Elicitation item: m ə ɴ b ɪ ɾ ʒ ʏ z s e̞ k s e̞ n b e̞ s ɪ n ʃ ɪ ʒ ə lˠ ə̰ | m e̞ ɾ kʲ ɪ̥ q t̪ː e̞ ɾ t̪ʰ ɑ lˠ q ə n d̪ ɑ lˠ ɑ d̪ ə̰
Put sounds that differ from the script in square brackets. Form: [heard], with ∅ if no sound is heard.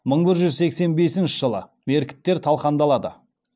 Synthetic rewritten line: m ə ɴ b ɪ ɾ ʒ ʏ z s e̞ k s e̞ n b e̞ s ɪ n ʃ ɪ ʒ ə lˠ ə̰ | m e̞ ɾ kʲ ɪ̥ [∅] t̪ː e̞ ɾ t̪ʰ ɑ lˠ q [ɑ] n d̪ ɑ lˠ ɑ d̪ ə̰